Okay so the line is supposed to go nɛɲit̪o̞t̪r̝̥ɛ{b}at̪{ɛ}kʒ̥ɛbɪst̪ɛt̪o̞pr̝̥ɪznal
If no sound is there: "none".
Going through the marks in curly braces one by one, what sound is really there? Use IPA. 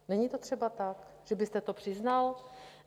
b, a

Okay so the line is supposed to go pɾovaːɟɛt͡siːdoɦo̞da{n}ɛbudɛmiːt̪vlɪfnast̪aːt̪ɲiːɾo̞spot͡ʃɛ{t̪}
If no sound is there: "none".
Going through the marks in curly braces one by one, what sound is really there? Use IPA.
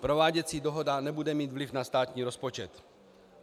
n, t̪

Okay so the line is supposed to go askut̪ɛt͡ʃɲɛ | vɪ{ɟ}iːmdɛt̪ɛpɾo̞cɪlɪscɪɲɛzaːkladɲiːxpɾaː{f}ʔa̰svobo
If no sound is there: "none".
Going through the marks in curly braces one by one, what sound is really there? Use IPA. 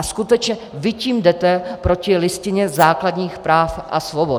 c, f

